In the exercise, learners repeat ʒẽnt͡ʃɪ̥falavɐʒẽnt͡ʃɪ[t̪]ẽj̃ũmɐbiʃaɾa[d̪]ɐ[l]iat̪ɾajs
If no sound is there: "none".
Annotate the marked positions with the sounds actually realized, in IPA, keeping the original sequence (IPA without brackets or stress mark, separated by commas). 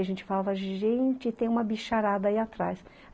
t̪, d̪, none